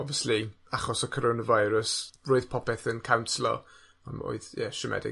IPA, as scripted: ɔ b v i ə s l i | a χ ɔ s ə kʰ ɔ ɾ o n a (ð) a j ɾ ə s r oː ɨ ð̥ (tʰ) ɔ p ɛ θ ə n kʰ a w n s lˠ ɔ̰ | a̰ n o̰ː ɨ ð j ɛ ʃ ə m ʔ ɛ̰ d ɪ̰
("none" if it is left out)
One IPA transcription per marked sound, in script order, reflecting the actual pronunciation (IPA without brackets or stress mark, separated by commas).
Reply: v, pʰ